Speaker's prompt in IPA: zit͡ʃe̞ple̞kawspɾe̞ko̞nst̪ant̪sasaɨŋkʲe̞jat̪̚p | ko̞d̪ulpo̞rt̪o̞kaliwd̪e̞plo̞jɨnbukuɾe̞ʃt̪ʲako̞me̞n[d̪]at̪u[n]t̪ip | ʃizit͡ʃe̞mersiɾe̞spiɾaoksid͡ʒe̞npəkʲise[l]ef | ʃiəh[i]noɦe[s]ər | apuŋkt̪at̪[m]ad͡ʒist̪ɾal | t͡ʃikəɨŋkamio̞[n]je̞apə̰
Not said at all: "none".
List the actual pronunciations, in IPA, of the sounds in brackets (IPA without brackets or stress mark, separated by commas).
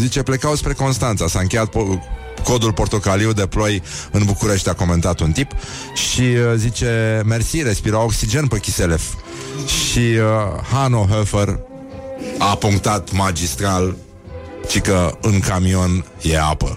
t̪, n, l, a, f, m, n